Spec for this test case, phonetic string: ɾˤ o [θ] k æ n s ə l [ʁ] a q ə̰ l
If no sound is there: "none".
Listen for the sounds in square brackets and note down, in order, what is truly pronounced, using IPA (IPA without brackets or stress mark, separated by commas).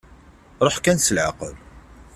ħ, ʕ